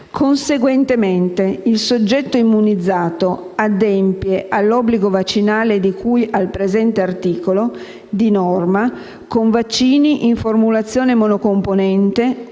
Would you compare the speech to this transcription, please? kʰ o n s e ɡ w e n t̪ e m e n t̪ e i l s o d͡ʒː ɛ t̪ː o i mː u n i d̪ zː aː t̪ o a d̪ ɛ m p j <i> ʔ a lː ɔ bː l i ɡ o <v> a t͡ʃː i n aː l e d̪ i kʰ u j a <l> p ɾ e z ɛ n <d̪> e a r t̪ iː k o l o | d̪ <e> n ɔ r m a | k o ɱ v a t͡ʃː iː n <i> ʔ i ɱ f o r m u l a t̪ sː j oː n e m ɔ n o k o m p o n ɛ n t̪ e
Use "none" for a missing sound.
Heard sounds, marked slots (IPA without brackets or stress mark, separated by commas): e, v, l, t̪, i, i